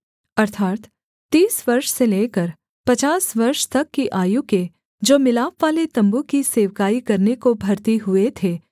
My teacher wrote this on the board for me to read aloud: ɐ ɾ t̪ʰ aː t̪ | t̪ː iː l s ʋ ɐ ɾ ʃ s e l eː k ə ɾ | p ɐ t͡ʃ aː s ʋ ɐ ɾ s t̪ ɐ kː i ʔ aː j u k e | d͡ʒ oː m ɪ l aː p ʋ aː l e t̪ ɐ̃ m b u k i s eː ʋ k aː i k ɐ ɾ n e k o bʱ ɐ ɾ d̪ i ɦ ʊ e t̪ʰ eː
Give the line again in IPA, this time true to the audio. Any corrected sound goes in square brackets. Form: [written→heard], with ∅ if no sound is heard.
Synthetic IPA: ɐ ɾ t̪ʰ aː t̪ | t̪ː iː [l→∅] s ʋ ɐ ɾ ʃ s e l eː k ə ɾ | p ɐ t͡ʃ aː s ʋ ɐ ɾ [s→ʃ] t̪ ɐ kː i ʔ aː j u k e | d͡ʒ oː m ɪ l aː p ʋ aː l e t̪ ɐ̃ m b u k i s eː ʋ k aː i k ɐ ɾ n e k o bʱ ɐ ɾ [d̪→t̪] i ɦ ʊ e t̪ʰ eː